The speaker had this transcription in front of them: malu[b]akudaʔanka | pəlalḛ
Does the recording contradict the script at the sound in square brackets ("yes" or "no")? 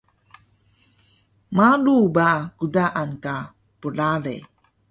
no